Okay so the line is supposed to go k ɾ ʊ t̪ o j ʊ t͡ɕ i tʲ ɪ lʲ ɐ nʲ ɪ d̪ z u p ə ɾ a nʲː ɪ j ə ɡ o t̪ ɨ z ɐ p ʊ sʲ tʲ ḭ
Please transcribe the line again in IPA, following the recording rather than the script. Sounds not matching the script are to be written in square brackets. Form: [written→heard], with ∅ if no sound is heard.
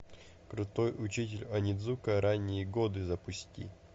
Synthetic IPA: k ɾ ʊ t̪ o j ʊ t͡ɕ i tʲ ɪ lʲ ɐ nʲ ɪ d̪ z u [p→k] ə ɾ a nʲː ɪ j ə ɡ o [t̪→d̪] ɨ z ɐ p ʊ sʲ tʲ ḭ